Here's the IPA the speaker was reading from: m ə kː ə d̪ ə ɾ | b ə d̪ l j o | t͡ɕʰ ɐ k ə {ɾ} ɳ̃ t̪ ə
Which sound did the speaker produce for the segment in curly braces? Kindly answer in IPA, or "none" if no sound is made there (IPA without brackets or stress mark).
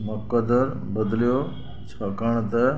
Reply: none